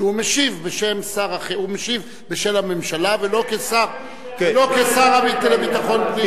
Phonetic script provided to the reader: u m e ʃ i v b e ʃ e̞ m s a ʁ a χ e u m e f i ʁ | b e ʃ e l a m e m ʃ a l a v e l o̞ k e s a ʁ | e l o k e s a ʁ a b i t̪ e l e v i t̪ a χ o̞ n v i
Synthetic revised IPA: u m e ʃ i v b e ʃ e̞ m s a ʁ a χ e u m e ʃ i v | b e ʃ e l a m e m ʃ a l a v e l o̞ k e s a ʁ | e l o k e s a ʁ a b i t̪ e l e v i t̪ a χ o̞ n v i